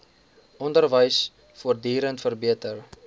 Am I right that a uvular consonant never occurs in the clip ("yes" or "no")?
yes